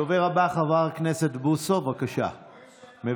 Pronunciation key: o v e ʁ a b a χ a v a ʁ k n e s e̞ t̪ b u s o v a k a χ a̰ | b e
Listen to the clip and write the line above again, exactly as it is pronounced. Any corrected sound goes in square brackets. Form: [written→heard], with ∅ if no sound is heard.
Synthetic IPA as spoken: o v e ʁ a b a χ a v a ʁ k n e s e̞ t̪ b u s o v a k a [χ→ʃ] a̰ | [b→m] e